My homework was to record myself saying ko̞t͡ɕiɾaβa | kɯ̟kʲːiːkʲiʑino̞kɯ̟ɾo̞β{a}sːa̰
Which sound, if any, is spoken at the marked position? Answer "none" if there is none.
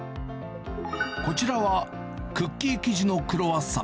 a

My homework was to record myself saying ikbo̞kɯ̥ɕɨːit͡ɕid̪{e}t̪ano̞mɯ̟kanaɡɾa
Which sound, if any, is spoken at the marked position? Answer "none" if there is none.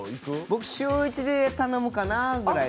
e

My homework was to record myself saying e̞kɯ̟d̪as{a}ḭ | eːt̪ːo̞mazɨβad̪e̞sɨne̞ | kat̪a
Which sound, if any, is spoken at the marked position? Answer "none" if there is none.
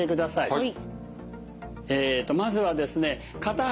a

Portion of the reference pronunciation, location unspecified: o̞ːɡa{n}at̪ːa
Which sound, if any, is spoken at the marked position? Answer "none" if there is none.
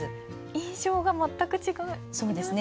m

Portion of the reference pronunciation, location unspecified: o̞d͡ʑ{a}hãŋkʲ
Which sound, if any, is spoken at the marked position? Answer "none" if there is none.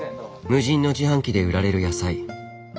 i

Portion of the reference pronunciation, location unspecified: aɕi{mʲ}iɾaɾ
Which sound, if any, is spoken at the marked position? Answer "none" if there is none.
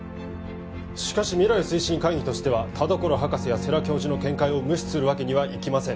mʲ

